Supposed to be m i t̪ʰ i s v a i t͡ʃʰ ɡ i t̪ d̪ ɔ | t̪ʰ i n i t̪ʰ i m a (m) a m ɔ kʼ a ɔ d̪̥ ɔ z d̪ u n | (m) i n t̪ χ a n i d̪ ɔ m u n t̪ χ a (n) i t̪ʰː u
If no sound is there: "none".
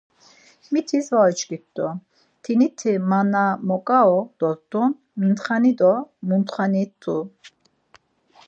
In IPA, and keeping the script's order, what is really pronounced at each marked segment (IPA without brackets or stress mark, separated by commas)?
n, m, n